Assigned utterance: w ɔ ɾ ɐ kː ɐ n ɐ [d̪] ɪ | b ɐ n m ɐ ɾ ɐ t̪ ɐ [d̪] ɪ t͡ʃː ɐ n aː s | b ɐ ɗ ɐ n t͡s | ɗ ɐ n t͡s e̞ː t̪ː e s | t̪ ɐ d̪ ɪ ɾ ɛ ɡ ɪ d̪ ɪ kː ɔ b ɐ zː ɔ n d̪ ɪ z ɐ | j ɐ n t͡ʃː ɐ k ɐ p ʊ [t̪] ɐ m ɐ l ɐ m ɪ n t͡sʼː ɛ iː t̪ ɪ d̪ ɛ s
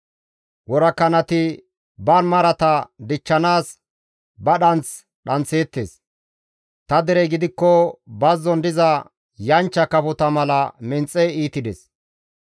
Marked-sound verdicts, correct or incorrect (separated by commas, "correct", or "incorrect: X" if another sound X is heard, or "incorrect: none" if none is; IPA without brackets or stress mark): incorrect: t̪, correct, correct